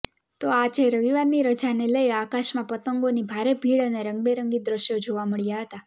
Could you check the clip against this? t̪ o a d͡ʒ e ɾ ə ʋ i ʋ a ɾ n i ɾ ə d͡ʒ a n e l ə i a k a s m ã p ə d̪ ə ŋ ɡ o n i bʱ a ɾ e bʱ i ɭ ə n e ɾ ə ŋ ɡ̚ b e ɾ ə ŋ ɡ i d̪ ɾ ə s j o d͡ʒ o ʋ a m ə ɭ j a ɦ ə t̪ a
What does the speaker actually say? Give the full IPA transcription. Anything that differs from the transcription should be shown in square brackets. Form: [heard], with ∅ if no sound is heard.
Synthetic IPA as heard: t̪ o a d͡ʒ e ɾ ə ʋ i ʋ a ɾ n i ɾ ə d͡ʒ a n e l ə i a k a [ʃ] m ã p ə [t̪] ə ŋ ɡ o n i bʱ a ɾ e bʱ i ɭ ə n e ɾ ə ŋ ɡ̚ b e ɾ ə ŋ ɡ i d̪ ɾ ə [ʃ] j o d͡ʒ o ʋ a m ə ɭ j a ɦ ə t̪ a